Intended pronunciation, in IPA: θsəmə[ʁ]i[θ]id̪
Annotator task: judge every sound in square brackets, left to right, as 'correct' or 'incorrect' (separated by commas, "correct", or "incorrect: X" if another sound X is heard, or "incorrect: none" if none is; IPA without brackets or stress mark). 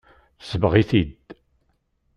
correct, correct